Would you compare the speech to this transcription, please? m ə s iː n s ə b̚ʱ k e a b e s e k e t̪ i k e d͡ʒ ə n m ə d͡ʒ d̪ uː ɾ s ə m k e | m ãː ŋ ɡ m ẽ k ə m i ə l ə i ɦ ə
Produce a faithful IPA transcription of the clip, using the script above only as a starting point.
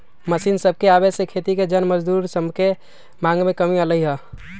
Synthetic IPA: m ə s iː n s ə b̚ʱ k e a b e s e kʰ e t̪ i k e d͡ʒ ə n m ə d͡ʒ d̪ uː ɾ s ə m k e | m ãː ŋ ɡ m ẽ k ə m i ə l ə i ɦ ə